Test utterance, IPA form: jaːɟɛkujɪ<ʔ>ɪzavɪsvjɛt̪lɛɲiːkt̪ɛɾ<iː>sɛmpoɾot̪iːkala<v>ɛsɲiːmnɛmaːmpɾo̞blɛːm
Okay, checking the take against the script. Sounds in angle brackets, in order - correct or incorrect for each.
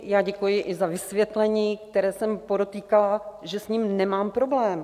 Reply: correct, incorrect: ɛː, incorrect: ʒ

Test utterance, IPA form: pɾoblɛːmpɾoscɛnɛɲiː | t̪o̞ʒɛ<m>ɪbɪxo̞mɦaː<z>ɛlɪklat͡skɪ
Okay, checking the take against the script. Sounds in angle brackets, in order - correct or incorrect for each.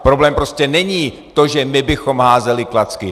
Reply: correct, correct

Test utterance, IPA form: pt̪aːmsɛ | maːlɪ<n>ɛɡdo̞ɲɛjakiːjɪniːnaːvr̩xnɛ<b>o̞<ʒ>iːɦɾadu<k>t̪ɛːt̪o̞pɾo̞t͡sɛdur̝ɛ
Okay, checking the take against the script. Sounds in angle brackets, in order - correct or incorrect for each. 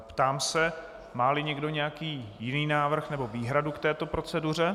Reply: incorrect: ɲ, correct, incorrect: v, correct

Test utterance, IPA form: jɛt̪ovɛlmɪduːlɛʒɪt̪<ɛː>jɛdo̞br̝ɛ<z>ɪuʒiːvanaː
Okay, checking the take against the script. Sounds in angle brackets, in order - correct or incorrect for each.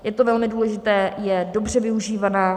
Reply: correct, incorrect: v

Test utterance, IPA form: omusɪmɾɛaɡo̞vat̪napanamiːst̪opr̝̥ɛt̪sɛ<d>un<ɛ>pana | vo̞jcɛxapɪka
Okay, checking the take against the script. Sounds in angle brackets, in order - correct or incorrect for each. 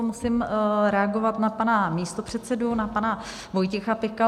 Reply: correct, incorrect: a

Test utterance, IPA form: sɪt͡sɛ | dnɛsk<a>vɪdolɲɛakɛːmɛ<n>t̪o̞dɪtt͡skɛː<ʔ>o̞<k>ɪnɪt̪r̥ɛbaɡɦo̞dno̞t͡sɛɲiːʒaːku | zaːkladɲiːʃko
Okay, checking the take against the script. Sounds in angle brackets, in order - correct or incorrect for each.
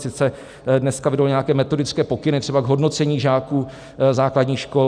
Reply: correct, incorrect: none, incorrect: p, correct

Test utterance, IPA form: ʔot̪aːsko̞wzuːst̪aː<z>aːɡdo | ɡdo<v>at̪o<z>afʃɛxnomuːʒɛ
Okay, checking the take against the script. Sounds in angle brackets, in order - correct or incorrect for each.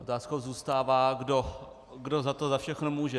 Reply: incorrect: v, incorrect: z, correct

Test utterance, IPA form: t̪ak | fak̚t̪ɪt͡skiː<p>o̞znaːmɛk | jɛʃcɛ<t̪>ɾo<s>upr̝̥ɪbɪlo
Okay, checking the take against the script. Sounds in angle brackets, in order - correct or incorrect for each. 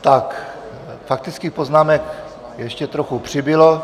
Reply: correct, correct, incorrect: x

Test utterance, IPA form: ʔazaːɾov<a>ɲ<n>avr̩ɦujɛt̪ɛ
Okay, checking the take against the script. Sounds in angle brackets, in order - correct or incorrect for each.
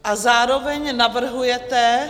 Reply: incorrect: ɛ, correct

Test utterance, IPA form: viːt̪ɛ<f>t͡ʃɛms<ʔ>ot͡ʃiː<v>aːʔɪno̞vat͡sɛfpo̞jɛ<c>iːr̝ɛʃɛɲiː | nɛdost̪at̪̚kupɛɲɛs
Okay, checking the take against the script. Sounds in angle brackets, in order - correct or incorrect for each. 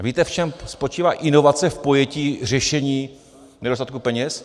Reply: correct, incorrect: p, correct, correct

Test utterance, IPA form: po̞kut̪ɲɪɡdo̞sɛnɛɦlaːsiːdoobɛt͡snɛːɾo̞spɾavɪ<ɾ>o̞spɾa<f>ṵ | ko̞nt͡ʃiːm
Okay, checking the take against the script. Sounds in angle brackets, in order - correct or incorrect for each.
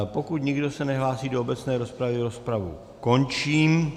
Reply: correct, incorrect: v

